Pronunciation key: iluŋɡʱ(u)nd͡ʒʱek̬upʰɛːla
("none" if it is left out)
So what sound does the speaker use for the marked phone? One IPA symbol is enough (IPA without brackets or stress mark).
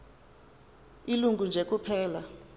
u